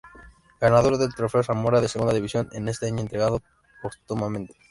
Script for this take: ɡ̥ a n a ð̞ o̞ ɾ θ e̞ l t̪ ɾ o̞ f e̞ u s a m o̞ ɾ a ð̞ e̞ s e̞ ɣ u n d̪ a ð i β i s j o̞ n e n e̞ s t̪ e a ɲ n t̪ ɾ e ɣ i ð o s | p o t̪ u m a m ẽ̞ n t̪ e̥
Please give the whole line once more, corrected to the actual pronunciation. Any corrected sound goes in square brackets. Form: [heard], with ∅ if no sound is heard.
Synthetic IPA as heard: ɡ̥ a n a ð̞ o̞ ɾ [ð] e̞ l t̪ ɾ o̞ f e̞ [o] s a m o̞ ɾ a ð̞ e̞ s e̞ ɣ u n d̪ a ð i β i s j o̞ n e n e̞ s t̪ e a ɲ n t̪ ɾ e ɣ [a] ð o [∅] | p o t̪ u m a m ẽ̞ n t̪ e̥